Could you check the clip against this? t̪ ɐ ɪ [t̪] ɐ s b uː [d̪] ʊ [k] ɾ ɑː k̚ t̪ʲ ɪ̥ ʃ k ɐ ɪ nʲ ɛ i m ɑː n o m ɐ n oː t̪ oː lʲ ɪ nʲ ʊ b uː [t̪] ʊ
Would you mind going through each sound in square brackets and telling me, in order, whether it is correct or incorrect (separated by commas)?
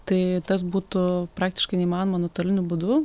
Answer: correct, incorrect, incorrect, incorrect